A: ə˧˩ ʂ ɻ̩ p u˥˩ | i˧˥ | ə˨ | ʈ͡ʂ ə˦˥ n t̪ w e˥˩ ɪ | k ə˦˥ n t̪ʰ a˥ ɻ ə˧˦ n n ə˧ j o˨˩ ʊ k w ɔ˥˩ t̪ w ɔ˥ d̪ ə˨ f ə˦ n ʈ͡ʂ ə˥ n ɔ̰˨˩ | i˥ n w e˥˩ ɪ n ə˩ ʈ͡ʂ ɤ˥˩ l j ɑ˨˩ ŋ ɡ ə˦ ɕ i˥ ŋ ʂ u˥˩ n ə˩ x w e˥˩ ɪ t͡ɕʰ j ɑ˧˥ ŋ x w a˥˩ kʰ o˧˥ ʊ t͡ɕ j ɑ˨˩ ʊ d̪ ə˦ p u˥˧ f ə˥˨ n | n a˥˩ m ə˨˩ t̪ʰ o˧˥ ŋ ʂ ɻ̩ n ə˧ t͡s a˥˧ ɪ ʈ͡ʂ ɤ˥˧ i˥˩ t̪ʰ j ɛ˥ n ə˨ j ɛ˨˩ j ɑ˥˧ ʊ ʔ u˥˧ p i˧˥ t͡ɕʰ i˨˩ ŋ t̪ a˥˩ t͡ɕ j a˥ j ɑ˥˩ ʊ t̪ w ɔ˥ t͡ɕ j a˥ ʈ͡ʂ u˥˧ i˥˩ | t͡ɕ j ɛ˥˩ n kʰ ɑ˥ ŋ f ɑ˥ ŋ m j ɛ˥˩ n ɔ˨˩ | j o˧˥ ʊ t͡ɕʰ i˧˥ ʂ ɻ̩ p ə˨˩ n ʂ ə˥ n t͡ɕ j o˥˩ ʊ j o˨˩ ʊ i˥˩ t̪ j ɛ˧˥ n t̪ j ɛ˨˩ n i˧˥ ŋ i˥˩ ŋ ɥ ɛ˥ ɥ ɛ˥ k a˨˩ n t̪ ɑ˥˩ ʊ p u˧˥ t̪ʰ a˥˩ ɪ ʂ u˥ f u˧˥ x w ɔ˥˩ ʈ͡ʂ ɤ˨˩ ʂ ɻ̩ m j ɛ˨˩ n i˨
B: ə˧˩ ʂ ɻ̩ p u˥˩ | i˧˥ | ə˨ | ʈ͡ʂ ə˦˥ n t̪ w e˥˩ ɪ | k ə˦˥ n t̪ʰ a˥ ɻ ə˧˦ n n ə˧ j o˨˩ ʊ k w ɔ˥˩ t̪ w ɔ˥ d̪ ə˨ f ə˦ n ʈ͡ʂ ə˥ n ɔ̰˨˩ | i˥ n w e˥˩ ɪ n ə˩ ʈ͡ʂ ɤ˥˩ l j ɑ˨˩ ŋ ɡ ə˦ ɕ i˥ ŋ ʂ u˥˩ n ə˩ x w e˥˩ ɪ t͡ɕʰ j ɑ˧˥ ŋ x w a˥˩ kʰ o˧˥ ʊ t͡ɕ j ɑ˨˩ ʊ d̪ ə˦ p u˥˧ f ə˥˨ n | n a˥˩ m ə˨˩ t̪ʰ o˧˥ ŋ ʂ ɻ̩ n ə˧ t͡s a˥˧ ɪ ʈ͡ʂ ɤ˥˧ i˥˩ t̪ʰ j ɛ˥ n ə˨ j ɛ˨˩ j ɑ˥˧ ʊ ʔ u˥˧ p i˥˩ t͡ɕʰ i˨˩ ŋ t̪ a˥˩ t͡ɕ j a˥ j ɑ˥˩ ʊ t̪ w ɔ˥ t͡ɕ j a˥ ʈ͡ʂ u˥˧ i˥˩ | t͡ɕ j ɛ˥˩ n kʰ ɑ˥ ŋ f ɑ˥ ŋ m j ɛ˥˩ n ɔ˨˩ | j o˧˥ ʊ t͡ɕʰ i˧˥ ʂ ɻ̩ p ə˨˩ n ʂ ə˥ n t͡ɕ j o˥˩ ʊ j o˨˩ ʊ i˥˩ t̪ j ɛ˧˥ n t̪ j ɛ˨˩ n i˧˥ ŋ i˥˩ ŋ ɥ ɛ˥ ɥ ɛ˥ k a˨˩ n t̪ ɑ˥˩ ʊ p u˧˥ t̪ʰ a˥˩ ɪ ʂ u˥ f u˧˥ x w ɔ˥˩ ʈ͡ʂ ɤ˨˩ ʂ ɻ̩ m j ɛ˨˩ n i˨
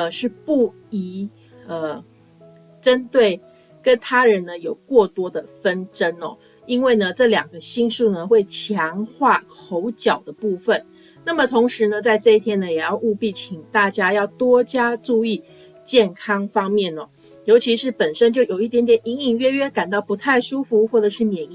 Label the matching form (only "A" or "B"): B